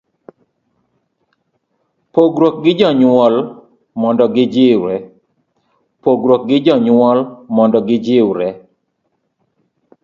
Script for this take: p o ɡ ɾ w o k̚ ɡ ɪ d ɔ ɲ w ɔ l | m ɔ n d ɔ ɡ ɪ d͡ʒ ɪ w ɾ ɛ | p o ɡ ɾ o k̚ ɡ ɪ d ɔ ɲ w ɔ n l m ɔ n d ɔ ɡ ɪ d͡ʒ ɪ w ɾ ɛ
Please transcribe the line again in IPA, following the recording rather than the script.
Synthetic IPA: p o ɡ ɾ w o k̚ ɡ ɪ d͡ʒ ɔ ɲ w ɔ l | m ɔ n d ɔ ɡ ɪ d͡ʒ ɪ w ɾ ɛ | p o ɡ ɾ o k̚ ɡ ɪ d͡ʒ ɔ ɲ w ɔ l m ɔ n d ɔ ɡ ɪ d͡ʒ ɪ w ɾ ɛ